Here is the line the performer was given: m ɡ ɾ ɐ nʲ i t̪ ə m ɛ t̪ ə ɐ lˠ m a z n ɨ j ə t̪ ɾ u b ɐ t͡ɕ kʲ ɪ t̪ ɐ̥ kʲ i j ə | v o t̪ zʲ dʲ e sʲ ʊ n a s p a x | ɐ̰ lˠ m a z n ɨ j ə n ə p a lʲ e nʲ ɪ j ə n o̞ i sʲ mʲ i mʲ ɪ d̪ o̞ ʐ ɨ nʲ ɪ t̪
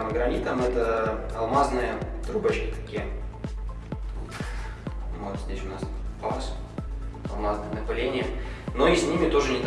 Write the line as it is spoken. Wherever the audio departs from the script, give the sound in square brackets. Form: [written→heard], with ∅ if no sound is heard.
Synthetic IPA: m ɡ ɾ ɐ nʲ i t̪ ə m ɛ t̪ ə ɐ lˠ m a z n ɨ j ə t̪ ɾ u b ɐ t͡ɕ kʲ ɪ t̪ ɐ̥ kʲ i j ə | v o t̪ zʲ dʲ e sʲ ʊ n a s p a [x→s] | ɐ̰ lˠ m a z n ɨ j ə n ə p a lʲ e nʲ ɪ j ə n o̞ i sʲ [mʲ→nʲ] i mʲ ɪ [d̪→t̪] o̞ ʐ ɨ nʲ ɪ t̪